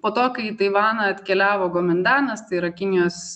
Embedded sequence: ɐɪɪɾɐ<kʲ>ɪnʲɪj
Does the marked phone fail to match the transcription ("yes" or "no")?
no